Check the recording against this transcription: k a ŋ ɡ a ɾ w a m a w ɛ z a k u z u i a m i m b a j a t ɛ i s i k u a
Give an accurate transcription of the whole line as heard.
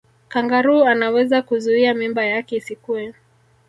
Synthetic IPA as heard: k a ŋ ɡ a ɾ u a n a w ɛ z a k u z u i a m i m b a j a k ɛ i s i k u ɛ